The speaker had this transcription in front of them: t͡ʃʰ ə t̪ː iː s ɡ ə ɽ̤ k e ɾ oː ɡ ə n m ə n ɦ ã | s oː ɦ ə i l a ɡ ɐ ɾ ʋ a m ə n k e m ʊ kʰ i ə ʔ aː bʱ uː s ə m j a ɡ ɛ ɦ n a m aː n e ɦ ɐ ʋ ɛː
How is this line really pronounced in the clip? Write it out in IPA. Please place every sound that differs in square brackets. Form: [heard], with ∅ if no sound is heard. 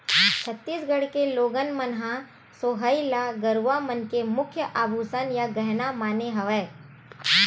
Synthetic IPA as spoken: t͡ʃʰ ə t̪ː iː s ɡ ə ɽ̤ k e [l] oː ɡ ə n m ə n ɦ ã | s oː ɦ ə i l a ɡ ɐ ɾ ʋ a m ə n k e m ʊ kʰ [j] ə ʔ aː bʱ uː s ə [n] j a ɡ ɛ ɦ n a m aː n e ɦ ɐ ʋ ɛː